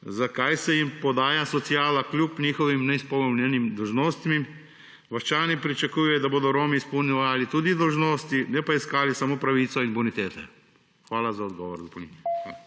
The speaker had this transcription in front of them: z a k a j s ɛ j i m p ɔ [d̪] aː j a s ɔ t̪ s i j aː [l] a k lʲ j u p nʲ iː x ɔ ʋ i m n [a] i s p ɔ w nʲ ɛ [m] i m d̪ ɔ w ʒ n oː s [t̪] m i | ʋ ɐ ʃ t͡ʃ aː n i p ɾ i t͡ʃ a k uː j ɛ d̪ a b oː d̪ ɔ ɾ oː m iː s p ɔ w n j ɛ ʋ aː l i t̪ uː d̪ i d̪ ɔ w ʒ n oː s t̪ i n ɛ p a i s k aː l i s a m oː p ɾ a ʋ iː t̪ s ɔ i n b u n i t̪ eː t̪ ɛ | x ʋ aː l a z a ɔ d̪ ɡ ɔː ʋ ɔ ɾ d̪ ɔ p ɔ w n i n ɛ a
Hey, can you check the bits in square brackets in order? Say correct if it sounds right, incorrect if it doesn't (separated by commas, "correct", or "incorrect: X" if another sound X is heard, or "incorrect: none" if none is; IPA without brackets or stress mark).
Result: correct, correct, incorrect: ɛ, incorrect: n, correct